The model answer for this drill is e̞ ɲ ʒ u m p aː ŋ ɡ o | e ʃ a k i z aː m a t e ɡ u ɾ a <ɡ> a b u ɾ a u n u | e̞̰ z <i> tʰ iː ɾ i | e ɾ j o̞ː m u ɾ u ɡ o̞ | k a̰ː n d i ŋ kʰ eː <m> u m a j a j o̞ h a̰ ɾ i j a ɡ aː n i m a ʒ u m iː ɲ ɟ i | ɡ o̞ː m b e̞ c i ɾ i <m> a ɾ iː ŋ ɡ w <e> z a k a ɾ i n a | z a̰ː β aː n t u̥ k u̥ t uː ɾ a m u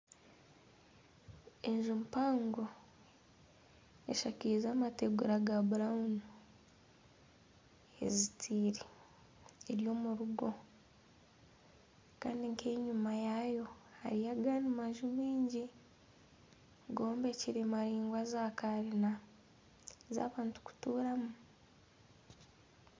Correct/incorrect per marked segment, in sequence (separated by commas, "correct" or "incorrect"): correct, correct, incorrect, correct, incorrect